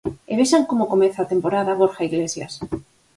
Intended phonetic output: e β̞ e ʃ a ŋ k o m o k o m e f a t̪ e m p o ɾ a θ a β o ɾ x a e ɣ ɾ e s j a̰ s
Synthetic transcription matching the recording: e β̞ e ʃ a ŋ k o m o k o m e θ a t̪ e m p o ɾ a ð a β o ɾ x a i ɣ l e s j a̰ s